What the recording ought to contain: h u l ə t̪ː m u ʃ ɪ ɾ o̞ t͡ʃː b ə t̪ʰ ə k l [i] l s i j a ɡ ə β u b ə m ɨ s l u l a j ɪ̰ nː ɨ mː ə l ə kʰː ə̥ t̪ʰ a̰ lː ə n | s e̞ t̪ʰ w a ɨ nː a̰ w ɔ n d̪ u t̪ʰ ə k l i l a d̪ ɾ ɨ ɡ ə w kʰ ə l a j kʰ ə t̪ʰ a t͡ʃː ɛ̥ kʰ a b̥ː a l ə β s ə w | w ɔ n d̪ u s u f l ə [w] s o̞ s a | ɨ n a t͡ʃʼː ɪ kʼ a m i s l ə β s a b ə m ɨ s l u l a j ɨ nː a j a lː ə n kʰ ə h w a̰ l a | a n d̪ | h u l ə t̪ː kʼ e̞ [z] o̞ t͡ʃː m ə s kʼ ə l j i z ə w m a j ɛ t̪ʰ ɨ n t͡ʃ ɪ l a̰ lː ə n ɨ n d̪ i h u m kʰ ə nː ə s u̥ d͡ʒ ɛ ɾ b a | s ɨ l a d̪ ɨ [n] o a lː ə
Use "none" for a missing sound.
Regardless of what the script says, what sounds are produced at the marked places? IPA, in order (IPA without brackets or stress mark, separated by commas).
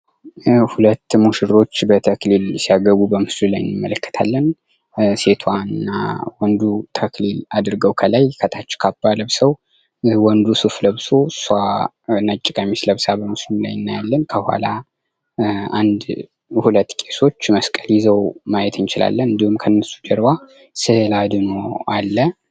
i, β, s, n